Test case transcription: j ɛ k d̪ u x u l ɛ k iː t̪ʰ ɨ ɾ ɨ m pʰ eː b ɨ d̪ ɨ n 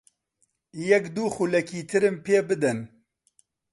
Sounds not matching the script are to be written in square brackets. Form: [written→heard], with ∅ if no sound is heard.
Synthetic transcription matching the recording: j ɛ k d̪ u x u l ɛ k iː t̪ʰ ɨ ɾ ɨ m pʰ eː b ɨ d̪ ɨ n